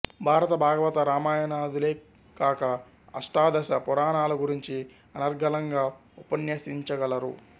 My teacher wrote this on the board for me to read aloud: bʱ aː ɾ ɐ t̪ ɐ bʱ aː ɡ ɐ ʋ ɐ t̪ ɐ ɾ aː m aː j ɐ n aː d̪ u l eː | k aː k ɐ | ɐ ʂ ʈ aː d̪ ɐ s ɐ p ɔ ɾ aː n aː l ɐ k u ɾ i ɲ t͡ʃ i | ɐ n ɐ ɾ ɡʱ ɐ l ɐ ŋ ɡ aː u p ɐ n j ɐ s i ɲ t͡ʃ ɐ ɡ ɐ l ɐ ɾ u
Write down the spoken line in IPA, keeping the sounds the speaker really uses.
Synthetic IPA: bʱ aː ɾ ɐ t̪ ɐ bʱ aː ɡ ɐ ʋ ɐ t̪ ɐ ɾ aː m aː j ɐ n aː d̪ u l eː | k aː k ɐ | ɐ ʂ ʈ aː d̪ ɐ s ɐ p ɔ ɾ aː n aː l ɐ ɡ u ɾ i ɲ t͡ʃ i | ɐ n ɐ ɾ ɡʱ ɐ l ɐ ŋ ɡ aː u p ɐ n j ɐ s i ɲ t͡ʃ ɐ ɡ ɐ l ɐ ɾ u